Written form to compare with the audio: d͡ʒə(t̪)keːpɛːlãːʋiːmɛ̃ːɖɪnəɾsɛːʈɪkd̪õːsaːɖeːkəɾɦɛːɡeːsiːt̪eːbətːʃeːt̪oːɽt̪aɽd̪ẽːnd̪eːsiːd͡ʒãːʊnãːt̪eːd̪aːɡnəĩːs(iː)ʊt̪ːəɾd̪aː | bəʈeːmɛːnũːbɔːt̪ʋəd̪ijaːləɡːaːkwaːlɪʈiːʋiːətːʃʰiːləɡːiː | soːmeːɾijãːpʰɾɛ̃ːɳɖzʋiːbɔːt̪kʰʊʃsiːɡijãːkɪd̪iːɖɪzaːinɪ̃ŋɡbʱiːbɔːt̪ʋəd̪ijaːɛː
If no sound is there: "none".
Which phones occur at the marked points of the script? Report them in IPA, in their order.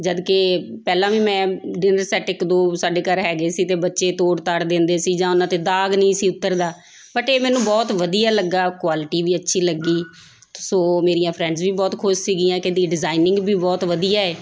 d̪, iː

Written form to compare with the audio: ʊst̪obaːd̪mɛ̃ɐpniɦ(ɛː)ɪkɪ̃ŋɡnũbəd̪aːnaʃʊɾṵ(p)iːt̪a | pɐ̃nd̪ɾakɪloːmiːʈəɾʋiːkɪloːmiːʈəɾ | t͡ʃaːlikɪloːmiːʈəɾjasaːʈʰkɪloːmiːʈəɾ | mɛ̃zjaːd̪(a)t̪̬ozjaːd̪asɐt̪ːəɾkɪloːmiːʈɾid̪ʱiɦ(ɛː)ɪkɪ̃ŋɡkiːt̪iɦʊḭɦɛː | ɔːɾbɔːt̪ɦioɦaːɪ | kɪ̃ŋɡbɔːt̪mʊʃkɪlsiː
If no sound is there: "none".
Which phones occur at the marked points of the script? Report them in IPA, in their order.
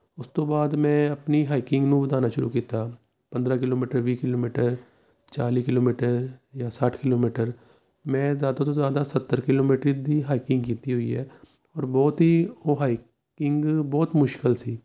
aː, k, a, aː

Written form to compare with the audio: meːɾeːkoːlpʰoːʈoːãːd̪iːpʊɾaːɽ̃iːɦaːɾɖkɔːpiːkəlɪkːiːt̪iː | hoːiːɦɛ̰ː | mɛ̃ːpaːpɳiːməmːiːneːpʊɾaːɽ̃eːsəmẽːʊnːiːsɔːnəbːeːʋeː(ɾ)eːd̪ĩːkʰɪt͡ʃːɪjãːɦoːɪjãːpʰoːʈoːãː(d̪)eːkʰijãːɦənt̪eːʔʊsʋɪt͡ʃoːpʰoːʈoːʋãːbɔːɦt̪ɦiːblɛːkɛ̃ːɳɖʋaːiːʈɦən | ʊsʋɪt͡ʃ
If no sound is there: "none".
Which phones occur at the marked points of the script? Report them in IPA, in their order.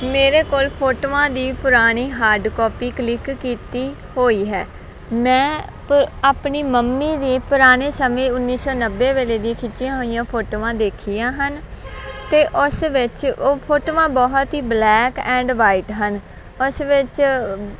l, d̪

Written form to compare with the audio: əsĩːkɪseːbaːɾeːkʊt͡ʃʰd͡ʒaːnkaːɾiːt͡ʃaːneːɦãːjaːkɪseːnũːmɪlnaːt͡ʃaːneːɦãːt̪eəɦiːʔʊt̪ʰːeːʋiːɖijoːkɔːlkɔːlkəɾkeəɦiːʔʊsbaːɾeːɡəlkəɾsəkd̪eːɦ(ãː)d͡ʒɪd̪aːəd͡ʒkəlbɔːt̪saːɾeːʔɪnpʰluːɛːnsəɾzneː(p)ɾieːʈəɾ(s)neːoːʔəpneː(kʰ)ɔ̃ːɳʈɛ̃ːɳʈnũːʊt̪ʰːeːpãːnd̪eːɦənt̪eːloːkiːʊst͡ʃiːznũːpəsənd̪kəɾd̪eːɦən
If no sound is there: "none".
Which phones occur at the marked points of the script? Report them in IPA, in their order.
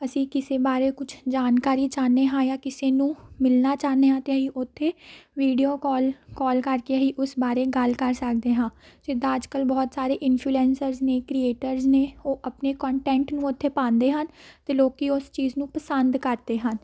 ãː, k, z, k

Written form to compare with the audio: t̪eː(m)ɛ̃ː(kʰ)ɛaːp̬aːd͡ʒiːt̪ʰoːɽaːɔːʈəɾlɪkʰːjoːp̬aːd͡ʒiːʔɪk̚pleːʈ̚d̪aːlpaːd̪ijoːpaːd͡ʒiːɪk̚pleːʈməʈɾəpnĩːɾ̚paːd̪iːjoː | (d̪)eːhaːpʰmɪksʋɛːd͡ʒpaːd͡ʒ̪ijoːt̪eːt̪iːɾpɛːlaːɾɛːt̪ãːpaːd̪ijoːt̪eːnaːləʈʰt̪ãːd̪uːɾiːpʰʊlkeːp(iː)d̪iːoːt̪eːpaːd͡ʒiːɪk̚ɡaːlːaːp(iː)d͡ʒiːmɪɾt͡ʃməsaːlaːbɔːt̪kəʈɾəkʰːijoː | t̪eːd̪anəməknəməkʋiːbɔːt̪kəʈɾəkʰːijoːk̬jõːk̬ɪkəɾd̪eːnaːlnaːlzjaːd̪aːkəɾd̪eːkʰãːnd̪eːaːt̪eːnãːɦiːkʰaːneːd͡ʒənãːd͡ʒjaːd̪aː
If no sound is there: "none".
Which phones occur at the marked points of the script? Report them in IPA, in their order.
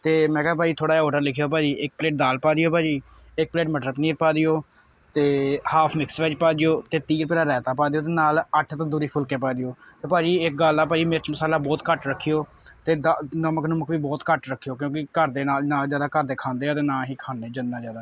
m, k, t̪, aː, aː

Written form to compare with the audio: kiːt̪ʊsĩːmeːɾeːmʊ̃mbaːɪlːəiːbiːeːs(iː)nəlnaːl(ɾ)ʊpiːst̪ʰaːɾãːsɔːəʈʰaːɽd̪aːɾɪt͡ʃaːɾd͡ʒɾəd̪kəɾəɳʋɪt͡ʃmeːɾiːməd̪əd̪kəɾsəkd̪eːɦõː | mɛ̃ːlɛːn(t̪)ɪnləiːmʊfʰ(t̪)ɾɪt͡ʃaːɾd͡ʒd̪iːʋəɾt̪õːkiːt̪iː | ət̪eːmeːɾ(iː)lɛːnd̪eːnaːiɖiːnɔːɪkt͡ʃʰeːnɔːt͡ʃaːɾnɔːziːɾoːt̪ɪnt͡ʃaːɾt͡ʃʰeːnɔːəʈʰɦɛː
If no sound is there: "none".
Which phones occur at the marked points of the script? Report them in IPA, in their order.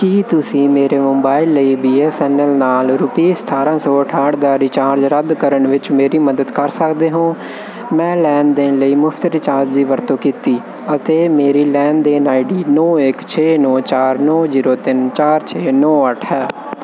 ɛː, ɾ, d̪, t̪, iː

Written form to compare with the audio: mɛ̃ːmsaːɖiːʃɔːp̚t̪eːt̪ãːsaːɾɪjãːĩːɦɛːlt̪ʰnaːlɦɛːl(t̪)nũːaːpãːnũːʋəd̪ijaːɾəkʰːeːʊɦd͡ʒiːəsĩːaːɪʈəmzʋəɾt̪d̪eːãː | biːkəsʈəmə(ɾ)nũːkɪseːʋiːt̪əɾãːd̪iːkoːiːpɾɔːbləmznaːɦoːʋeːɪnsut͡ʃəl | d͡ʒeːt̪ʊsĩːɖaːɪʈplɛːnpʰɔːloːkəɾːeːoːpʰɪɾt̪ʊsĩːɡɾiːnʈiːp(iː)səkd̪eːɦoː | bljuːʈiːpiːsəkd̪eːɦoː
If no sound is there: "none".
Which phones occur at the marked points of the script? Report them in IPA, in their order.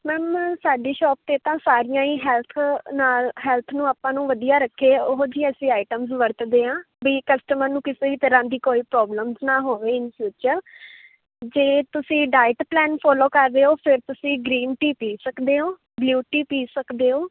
t̪ʰ, ɾ, iː

